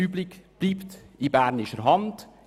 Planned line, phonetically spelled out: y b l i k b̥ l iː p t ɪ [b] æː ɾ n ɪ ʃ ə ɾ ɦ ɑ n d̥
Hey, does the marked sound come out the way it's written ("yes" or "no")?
yes